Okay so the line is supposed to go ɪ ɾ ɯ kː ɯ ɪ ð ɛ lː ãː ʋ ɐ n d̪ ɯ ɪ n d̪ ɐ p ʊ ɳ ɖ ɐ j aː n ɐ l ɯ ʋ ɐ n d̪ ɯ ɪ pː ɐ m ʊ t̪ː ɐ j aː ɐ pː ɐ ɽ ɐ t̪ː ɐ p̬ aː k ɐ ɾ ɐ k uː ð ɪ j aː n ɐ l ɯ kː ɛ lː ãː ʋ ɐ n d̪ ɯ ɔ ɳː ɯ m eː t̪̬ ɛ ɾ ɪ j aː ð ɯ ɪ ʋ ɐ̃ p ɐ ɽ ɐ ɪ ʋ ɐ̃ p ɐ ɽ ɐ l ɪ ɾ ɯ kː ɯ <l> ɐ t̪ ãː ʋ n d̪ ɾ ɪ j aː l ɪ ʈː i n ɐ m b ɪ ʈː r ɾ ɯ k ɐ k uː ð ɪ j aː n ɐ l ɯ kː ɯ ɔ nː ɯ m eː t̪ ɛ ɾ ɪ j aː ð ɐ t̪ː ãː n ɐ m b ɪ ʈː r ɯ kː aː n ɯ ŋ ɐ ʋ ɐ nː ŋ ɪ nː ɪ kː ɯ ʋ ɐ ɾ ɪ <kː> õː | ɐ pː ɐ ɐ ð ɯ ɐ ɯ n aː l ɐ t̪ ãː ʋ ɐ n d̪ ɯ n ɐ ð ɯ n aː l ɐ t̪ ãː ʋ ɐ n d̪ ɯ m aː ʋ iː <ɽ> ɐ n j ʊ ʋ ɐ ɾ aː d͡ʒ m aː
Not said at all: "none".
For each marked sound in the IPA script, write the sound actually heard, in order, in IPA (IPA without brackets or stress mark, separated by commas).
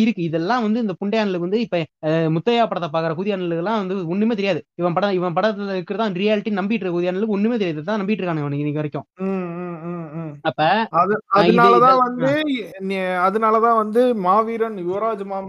ɾ, kː, ɾ